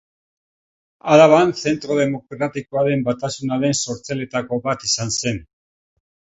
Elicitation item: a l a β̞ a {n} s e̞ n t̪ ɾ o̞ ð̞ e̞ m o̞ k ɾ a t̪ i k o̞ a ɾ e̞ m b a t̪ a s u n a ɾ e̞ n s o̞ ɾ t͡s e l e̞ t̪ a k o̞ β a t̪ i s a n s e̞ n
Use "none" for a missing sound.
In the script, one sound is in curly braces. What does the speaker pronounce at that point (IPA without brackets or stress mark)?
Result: n